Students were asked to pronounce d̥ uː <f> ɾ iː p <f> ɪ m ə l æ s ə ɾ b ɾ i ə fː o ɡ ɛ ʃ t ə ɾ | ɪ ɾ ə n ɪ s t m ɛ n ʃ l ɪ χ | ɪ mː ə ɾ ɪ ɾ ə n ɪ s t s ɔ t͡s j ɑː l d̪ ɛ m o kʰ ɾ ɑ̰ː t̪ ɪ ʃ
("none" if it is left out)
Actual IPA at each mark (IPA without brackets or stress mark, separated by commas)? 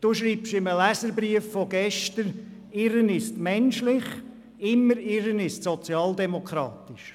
ʃ, ʃ